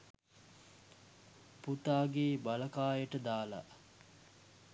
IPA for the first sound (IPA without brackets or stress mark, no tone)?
p